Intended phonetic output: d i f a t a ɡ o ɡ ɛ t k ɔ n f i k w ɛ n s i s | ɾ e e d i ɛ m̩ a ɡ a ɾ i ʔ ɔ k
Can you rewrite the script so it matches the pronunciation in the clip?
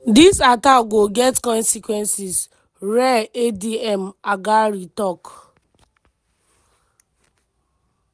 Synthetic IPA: d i s a t a ɡ o ɡ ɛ t k ɔ n s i k w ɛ n s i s | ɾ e e d i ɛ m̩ a ɡ a ɾ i t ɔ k